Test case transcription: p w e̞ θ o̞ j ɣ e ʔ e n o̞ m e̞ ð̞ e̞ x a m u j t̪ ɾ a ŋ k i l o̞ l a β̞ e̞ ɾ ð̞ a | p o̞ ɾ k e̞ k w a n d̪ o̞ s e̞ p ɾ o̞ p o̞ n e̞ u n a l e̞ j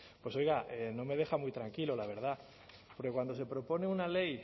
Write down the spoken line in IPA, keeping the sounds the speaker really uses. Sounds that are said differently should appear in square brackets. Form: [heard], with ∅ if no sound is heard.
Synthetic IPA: p w e̞ [s] o̞ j ɣ [a] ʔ e n o̞ m e̞ ð̞ e̞ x a m u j t̪ ɾ a ŋ k i l o̞ l a β̞ e̞ ɾ ð̞ a | p o̞ ɾ k e̞ k w a n d̪ o̞ s e̞ p ɾ o̞ p o̞ n e̞ u n a l e̞ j